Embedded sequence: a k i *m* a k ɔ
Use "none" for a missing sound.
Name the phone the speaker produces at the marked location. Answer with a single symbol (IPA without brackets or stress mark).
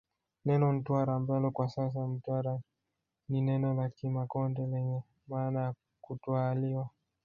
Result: m